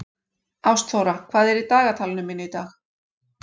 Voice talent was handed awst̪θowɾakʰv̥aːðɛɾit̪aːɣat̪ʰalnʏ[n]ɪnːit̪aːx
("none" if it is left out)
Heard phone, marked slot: m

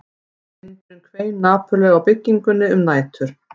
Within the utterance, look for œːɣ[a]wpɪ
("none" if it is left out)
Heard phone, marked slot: a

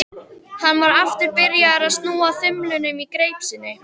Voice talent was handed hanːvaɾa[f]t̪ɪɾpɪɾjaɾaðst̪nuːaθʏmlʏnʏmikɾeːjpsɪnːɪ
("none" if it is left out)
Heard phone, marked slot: f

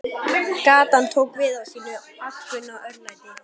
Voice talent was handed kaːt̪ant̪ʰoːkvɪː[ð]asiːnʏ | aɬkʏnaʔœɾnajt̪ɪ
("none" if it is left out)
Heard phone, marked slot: ð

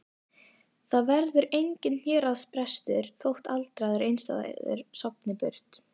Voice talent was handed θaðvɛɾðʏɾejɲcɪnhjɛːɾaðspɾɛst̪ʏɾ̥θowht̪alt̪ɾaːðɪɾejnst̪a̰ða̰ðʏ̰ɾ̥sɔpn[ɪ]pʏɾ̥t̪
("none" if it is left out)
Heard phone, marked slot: ɪ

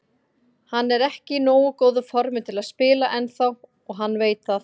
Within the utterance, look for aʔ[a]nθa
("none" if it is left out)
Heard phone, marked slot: ɛ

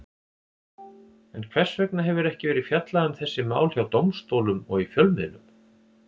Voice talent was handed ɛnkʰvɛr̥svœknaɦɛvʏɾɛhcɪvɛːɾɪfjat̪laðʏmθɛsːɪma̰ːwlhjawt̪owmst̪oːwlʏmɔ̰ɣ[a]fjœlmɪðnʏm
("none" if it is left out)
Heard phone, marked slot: i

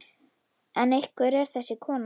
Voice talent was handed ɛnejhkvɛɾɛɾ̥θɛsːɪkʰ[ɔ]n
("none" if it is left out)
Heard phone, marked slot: ɔː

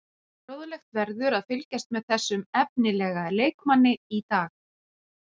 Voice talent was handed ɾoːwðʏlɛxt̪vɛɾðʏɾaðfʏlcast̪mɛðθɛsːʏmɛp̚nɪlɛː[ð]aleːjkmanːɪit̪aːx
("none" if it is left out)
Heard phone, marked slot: ɣ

